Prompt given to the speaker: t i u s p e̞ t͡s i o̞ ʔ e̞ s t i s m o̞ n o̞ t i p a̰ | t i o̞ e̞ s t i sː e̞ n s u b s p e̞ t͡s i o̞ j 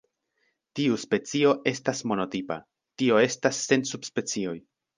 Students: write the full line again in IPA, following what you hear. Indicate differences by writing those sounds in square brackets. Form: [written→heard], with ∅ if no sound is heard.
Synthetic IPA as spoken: t i u s p e̞ t͡s i o̞ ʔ e̞ s t [i→a] s m o̞ n o̞ t i p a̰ | t i o̞ e̞ s t [i→a] sː e̞ n s u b s p e̞ t͡s i o̞ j